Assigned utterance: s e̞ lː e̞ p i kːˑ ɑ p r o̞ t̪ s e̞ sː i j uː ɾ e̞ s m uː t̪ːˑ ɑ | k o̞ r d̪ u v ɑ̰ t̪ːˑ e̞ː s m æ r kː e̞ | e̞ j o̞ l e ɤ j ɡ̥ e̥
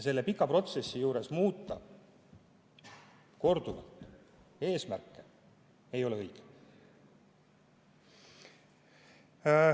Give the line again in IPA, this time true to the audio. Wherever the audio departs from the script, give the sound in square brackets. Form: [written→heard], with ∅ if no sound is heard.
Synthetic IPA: s e̞ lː e̞ p i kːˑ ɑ p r o̞ t̪ s e̞ sː i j uː ɾ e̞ s m uː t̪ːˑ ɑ | k o̞ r d̪ u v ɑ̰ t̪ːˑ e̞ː s m æ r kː e̞ | e̞ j o̞ l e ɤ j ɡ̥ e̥